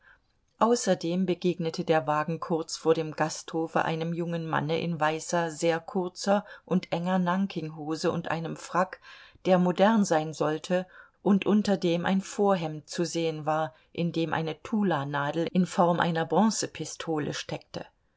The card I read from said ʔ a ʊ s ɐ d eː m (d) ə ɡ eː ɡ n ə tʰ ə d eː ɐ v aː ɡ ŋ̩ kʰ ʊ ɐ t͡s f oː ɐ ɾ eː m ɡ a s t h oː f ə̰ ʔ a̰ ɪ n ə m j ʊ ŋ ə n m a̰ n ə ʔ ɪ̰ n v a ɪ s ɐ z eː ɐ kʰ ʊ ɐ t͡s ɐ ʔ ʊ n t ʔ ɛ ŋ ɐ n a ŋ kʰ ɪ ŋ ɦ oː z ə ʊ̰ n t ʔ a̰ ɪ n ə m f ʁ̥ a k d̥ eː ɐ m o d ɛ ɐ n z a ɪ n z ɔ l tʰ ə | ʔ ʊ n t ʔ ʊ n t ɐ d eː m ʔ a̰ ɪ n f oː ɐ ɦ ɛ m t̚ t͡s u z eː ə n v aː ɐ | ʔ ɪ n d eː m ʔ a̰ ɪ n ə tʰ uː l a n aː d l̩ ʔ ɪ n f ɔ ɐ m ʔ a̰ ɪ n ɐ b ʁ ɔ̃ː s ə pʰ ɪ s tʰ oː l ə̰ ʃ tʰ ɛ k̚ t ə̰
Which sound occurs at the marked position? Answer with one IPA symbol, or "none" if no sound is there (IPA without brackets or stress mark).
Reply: b